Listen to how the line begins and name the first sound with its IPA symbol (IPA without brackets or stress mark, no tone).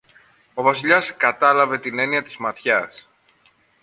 o̞